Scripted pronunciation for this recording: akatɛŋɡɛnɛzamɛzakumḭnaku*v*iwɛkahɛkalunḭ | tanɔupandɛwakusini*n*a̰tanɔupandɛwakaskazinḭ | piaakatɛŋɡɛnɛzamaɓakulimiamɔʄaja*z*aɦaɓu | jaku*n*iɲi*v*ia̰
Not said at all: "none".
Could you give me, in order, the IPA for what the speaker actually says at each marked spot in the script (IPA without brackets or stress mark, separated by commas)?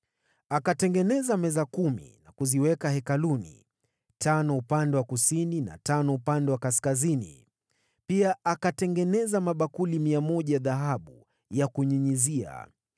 z, n, ð, ɲ, z